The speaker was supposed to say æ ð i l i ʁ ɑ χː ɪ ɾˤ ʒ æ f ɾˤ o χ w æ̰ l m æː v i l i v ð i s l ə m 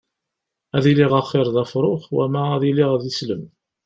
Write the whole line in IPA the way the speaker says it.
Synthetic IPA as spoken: æ ð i l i ʁ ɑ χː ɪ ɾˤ ð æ f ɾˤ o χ w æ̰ m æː ð i l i ʁ ð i s l ə m